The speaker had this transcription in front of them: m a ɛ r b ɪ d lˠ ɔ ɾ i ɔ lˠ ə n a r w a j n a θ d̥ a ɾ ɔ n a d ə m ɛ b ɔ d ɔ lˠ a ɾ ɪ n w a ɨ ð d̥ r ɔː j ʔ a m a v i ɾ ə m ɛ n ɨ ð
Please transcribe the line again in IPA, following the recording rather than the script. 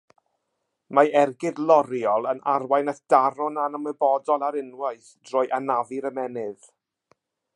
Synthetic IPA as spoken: m a ɛ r ɡ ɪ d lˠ ɔ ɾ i ɔ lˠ ə n a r w a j n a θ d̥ a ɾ ɔ n a n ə m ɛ b ɔ d ɔ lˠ a ɾ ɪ n w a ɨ θ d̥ r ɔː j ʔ a n a v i ɾ ə m ɛ n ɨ ð